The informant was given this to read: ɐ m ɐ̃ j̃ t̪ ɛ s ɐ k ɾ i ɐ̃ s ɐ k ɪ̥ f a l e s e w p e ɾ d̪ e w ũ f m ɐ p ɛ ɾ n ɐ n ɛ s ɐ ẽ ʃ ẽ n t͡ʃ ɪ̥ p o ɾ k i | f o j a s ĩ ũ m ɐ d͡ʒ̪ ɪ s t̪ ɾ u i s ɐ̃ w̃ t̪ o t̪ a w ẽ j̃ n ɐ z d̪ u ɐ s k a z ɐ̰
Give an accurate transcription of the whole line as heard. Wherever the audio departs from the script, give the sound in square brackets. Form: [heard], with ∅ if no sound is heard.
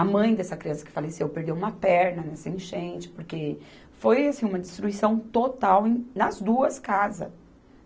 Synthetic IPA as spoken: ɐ m ɐ̃ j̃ [d̪] ɛ s ɐ k ɾ i ɐ̃ s ɐ k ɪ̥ f a l e s e w p e ɾ d̪ e w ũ [∅] m ɐ p ɛ ɾ n ɐ n ɛ s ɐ ẽ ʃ ẽ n t͡ʃ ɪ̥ p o ɾ k [e] | f o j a s ĩ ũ m ɐ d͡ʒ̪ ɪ s t̪ ɾ u i s ɐ̃ w̃ t̪ o t̪ a w ẽ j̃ n ɐ z d̪ u ɐ s k a z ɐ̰

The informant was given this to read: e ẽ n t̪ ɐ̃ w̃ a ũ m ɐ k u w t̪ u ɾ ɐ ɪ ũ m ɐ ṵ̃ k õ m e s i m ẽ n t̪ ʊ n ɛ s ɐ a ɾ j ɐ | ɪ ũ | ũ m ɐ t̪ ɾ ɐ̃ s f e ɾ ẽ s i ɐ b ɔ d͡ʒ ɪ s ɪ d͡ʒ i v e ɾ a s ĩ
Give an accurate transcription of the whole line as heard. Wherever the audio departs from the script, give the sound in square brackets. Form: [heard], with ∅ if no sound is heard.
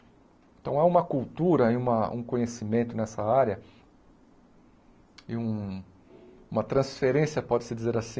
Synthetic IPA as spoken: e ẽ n t̪ ɐ̃ w̃ a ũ m ɐ k u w t̪ u ɾ ɐ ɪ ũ m ɐ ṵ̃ k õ [ɲ] e s i m ẽ n t̪ ʊ n ɛ s ɐ a ɾ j ɐ | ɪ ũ | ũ m ɐ t̪ ɾ ɐ̃ s f e ɾ ẽ s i ɐ [p] ɔ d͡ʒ ɪ s ɪ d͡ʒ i [z] e ɾ a s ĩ

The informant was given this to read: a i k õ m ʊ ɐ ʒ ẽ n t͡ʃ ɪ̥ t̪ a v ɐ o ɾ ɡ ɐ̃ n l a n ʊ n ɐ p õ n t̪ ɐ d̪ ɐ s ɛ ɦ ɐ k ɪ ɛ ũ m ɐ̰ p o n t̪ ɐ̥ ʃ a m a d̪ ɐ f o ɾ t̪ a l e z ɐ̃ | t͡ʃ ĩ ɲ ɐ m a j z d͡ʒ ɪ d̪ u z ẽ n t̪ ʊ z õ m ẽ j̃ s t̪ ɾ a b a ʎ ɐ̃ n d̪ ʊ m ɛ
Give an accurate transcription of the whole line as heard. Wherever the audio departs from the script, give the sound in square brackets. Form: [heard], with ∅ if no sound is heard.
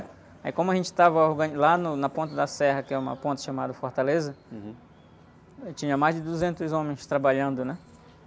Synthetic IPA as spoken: a i k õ m ʊ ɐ ʒ ẽ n t͡ʃ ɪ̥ t̪ a v ɐ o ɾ ɡ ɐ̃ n l a n ʊ n ɐ p õ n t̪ ɐ d̪ ɐ s ɛ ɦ ɐ k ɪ ɛ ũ m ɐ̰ p [õ] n t̪ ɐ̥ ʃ a m a d̪ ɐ f o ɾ t̪ a l e z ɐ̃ | t͡ʃ ĩ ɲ ɐ m a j z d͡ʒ ɪ d̪ u z ẽ n t̪ ʊ z õ m ẽ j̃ s t̪ ɾ a b a ʎ ɐ̃ n d̪ ʊ [n] ɛ

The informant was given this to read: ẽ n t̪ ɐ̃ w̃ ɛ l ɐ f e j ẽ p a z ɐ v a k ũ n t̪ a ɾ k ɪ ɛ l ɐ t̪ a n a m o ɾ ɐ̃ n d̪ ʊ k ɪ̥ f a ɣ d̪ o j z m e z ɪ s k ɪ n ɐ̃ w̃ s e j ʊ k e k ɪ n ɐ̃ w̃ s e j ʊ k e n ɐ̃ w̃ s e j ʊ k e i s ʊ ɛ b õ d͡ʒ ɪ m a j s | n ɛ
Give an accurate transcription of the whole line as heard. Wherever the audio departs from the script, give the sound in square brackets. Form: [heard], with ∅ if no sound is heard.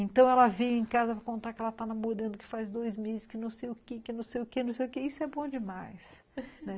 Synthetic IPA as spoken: ẽ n t̪ ɐ̃ w̃ ɛ l ɐ [v] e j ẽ [k] a z ɐ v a k [õ] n t̪ a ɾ k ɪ ɛ l ɐ t̪ a n a m o ɾ ɐ̃ n d̪ ʊ k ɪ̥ f a [z] d̪ o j z m e z ɪ s k ɪ n ɐ̃ w̃ s e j ʊ k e k ɪ n ɐ̃ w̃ s e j ʊ k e n ɐ̃ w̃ s e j ʊ k e i s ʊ ɛ b õ d͡ʒ ɪ m a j s | n ɛ

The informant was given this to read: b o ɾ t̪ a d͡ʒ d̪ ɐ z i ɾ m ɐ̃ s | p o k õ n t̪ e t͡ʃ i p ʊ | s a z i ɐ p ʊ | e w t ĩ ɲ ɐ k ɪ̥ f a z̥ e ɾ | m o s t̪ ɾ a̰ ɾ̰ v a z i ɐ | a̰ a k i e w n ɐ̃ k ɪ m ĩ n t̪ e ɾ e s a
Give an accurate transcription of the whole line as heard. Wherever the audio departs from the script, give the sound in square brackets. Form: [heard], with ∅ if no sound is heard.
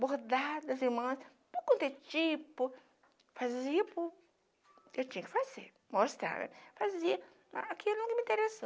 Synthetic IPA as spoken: b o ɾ [d̪] a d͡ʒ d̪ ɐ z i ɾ m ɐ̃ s | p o k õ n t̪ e t͡ʃ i p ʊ | [f] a z i ɐ p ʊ | e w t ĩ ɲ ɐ k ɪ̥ f a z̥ e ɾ | m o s t̪ ɾ a̰ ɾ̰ [f] a z i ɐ | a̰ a k i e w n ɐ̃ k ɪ m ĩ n t̪ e ɾ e s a

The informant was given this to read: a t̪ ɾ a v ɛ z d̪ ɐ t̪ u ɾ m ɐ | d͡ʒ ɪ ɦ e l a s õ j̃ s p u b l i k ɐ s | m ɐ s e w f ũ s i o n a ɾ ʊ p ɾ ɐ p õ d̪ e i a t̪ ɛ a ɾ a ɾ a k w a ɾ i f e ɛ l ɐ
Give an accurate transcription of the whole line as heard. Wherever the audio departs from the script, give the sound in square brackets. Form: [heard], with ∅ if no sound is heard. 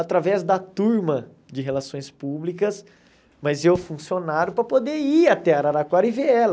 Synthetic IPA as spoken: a t̪ ɾ a v ɛ z d̪ ɐ t̪ u ɾ m ɐ | d͡ʒ ɪ ɦ e l a s õ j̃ s p u b l i k ɐ s | m ɐ [z] e w f ũ s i o n a ɾ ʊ p ɾ ɐ p [o] d̪ e i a t̪ ɛ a ɾ a ɾ a k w a ɾ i [v] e ɛ l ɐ

